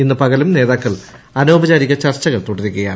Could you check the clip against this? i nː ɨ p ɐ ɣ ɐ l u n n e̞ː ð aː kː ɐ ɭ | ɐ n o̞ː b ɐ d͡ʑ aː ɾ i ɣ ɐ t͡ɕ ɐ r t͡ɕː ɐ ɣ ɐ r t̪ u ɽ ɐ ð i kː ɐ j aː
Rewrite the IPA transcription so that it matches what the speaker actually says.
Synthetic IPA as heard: i nː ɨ p ɐ ɣ ɐ l u m n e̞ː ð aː kː ɐ ɭ | ɐ n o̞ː b ɐ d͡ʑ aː ɾ i ɣ ɐ t͡ɕ ɐ r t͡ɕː ɐ ɣ ɐ ɭ t̪ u ɽ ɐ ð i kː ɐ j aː